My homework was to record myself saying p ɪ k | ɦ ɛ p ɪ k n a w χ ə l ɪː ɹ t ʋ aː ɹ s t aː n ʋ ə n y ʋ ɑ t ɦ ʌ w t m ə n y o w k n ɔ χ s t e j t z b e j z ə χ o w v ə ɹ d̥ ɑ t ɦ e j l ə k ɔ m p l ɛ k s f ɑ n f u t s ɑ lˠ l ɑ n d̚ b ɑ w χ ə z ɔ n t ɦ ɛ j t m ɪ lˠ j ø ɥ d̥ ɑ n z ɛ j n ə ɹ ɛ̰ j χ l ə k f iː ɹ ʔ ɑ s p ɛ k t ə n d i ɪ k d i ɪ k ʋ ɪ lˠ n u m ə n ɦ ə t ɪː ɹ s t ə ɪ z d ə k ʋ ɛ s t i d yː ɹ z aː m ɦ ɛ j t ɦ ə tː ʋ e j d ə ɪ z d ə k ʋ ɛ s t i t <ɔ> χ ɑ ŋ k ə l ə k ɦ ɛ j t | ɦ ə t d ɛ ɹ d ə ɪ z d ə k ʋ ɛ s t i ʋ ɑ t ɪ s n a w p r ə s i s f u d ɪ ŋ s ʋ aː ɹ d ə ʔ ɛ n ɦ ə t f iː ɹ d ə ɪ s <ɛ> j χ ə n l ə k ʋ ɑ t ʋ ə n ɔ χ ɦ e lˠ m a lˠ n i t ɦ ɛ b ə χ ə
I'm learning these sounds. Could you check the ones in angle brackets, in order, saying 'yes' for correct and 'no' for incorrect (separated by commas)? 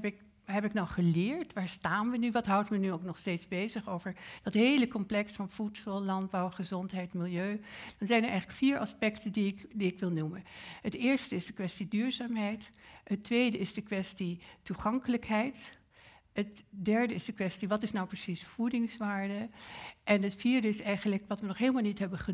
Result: no, yes